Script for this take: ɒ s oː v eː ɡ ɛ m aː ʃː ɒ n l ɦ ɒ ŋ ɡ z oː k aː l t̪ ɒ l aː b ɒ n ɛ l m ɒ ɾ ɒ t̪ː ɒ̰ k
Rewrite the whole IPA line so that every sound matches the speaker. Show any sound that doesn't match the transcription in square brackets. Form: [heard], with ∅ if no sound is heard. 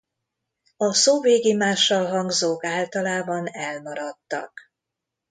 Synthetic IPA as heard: ɒ s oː v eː ɡ [i] m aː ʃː ɒ [∅] l ɦ ɒ ŋ ɡ z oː k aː l t̪ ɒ l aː b ɒ n ɛ l m ɒ ɾ ɒ t̪ː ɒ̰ k